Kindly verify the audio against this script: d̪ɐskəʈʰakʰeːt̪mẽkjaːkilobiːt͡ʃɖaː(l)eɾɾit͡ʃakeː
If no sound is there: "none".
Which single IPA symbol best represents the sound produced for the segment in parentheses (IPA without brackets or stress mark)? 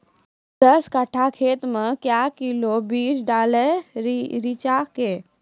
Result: l